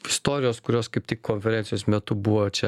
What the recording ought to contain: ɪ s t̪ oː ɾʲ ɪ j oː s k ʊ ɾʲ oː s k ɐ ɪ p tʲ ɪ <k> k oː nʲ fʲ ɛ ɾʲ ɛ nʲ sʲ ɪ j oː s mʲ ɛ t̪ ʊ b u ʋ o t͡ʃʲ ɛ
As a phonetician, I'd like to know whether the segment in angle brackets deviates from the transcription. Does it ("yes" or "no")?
no